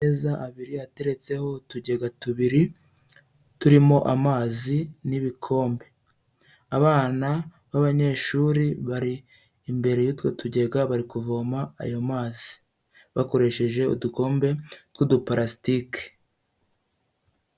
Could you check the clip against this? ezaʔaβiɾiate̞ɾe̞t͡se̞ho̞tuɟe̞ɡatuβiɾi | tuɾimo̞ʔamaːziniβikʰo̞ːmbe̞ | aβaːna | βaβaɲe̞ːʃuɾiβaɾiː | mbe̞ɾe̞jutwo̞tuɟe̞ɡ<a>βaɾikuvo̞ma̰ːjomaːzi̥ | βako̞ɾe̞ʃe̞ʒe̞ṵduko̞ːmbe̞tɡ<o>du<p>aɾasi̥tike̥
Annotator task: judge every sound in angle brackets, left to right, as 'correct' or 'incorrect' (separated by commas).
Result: correct, incorrect, correct